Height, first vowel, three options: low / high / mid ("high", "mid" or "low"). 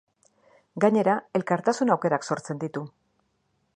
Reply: low